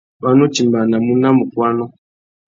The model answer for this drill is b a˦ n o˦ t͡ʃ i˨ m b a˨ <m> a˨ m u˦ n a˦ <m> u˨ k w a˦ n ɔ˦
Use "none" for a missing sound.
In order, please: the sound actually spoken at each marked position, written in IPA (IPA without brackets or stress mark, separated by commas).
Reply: n, m